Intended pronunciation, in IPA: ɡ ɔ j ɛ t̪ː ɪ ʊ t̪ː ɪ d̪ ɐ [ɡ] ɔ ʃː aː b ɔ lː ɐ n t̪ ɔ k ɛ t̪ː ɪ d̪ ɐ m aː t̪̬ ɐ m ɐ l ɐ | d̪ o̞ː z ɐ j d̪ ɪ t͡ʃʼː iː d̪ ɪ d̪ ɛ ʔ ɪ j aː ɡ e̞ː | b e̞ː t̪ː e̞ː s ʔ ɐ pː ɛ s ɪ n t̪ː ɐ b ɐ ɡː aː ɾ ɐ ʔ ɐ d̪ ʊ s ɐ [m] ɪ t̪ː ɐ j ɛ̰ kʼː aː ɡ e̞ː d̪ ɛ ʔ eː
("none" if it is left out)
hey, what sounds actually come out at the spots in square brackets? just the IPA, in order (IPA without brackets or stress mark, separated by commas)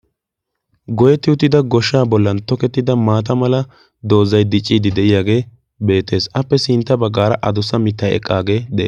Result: ɡ, m